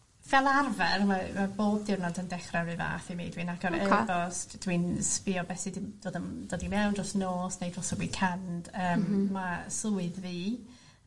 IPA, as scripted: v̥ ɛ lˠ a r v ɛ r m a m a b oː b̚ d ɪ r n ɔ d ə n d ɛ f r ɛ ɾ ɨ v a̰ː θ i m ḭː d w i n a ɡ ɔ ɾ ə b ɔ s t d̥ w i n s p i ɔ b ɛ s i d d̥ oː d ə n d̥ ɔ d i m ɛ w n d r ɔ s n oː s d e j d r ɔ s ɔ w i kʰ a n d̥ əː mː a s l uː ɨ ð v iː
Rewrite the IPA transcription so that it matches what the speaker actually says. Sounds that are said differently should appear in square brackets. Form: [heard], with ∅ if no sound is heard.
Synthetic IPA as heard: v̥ ɛ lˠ a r v ɛ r m a m a b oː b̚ d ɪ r n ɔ d ə n d ɛ [χ] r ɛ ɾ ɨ v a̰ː θ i m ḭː d w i n a ɡ ɔ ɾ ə b ɔ s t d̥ w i n s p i ɔ b ɛ s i d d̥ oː d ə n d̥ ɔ d i m ɛ w n d r ɔ s n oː s [n] e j d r ɔ s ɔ w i kʰ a n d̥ əː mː a s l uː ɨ ð v iː